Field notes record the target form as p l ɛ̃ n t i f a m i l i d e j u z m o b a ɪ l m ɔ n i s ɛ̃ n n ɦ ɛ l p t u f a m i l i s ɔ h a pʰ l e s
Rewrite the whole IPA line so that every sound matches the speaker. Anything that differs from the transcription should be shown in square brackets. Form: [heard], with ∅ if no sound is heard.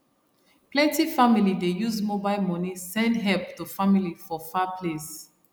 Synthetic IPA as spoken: p l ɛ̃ n t i f a m i l i d e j u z m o b a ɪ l m ɔ n i s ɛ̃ n [d] ɦ ɛ l p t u f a m i l i [f] ɔ [f] a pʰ l e s